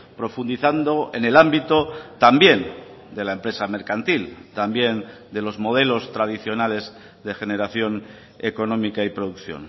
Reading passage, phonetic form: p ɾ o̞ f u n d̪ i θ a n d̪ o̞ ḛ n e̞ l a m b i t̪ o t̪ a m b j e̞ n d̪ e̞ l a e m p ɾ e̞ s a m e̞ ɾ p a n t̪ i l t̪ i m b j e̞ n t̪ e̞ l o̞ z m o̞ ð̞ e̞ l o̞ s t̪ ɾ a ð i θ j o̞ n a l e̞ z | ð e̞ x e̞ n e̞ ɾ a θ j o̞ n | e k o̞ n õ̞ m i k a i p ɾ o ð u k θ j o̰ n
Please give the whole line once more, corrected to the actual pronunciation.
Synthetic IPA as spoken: p ɾ o̞ f u n d̪ i θ a n d̪ o̞ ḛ n e̞ l a m b i t̪ o t̪ a m b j e̞ n d̪ e̞ l a e m p ɾ e̞ s a m e̞ ɾ k a n t̪ i l t̪ a m b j e̞ n d̪ e̞ l o̞ z m o̞ ð̞ e̞ l o̞ s t̪ ɾ a ð i θ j o̞ n a l e̞ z | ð e̞ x e̞ n e̞ ɾ a θ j o̞ n | e k o̞ n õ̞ m i k a i p ɾ o ð u k θ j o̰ n